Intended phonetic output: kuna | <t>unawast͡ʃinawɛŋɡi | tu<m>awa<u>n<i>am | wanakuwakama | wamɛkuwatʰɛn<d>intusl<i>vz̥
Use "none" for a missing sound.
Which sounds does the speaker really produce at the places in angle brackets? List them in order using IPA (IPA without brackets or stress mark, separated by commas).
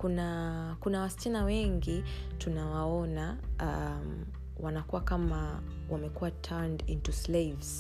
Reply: k, n, ɔ, a, d, e